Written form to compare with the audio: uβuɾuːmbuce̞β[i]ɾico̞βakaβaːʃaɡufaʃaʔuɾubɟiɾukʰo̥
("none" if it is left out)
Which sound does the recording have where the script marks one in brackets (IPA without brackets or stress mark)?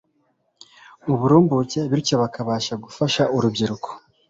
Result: i